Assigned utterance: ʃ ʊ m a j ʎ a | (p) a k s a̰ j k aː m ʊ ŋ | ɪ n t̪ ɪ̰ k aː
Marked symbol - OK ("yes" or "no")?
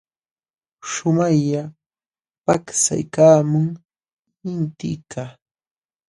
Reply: yes